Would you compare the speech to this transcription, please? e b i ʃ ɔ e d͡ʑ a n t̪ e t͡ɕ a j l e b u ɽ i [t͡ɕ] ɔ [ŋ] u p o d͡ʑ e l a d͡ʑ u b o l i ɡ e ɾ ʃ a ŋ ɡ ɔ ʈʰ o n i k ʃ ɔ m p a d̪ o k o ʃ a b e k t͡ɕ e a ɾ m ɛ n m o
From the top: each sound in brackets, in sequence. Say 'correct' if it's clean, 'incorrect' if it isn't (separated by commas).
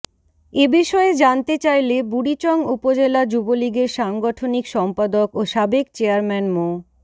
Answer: correct, correct